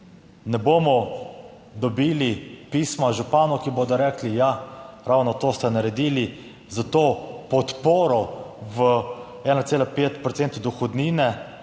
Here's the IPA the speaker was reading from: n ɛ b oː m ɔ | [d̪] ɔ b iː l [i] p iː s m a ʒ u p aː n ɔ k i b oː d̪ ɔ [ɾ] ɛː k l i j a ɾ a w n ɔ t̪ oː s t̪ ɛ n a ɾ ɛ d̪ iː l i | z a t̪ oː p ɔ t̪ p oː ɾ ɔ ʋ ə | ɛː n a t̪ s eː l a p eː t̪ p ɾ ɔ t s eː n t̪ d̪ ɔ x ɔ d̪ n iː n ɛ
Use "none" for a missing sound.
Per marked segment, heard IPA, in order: d̪, i, ɾ

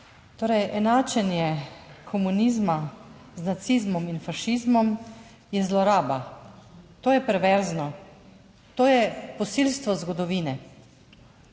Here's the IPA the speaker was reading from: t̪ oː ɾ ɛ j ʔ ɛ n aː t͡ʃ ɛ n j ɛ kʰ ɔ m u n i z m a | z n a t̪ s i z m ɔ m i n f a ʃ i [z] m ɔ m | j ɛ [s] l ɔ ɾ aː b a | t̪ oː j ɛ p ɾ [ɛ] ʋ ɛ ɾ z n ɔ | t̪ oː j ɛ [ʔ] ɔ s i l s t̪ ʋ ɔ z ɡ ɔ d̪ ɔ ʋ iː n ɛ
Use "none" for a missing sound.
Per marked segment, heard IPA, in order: z, z, ɛ, p

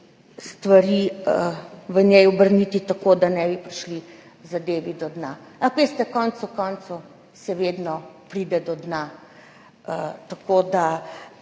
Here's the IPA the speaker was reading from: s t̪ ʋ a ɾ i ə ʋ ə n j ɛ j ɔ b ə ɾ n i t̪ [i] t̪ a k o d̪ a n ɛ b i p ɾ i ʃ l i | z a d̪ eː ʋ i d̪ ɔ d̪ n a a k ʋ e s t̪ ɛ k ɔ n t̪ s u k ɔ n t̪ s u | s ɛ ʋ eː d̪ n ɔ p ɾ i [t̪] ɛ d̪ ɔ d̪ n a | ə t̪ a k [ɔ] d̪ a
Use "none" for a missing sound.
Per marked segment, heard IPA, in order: i, d̪, o

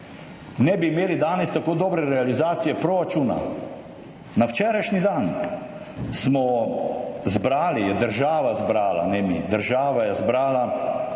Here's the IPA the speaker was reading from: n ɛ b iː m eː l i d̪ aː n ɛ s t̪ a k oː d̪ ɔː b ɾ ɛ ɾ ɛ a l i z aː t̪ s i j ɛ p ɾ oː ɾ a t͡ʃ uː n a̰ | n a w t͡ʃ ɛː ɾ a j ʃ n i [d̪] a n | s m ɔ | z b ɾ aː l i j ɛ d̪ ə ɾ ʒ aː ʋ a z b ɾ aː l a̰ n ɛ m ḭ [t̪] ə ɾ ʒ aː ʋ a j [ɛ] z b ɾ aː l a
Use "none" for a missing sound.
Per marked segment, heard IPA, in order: d̪, d̪, ɛ

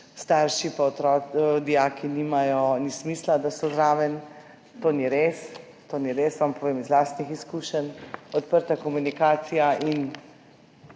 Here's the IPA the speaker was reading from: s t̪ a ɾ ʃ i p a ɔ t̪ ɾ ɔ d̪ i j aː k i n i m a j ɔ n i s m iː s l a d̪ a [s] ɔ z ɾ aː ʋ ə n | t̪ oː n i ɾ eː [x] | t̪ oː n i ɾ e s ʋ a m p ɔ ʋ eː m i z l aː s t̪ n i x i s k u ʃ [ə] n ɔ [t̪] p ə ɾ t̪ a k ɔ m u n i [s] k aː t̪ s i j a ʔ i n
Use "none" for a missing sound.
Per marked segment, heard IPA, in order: s, s, ə, t̪, none

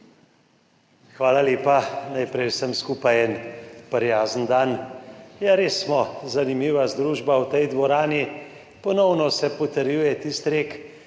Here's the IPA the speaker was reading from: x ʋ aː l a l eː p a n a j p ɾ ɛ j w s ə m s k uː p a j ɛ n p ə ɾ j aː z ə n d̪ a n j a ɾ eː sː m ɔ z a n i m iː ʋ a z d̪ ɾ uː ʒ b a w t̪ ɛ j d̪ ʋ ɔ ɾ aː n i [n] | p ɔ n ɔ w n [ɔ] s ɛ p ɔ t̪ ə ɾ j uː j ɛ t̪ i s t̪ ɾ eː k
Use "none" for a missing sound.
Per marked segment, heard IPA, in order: none, ɔ

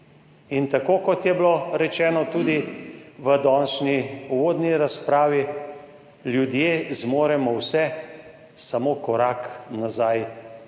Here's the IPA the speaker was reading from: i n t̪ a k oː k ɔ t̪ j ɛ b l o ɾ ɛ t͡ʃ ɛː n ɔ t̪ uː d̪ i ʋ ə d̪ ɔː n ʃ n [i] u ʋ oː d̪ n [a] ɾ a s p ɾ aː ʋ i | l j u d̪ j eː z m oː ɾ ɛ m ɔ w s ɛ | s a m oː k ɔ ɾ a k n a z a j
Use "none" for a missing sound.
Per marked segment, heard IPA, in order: i, i

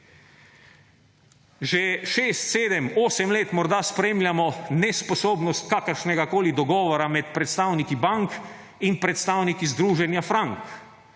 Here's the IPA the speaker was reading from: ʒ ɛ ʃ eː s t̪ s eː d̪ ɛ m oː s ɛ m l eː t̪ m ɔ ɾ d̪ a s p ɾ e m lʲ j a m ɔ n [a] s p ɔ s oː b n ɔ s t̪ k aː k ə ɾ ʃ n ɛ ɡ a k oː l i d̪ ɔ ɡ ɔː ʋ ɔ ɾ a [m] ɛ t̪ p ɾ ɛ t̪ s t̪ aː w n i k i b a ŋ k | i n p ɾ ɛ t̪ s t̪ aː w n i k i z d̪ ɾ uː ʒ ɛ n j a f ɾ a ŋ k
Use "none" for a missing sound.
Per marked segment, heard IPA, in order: ɛ, m

